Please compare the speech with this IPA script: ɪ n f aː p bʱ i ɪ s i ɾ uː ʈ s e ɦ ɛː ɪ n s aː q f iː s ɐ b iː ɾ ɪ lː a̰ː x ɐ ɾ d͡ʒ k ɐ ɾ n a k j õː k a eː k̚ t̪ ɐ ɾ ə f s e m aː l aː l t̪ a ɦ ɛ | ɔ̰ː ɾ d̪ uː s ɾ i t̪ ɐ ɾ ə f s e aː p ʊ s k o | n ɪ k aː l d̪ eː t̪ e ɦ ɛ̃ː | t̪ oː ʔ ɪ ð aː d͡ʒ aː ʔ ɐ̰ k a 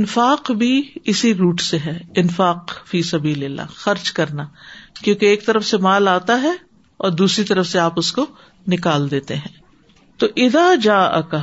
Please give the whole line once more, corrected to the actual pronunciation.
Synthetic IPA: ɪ n f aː q bʱ i ɪ s i ɾ uː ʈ s e ɦ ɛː ɪ n f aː q f iː s ɐ b iː l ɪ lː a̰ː x ɐ ɾ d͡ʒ k ɐ ɾ n a k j õː k e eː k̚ t̪ ɐ ɾ ə f s e m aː l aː t̪ a ɦ ɛ | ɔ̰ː ɾ d̪ uː s ɾ i t̪ ɐ ɾ ə f s e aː p ʊ s k o | n ɪ k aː l d̪ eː t̪ e ɦ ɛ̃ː | t̪ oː ʔ ɪ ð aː d͡ʒ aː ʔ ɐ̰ k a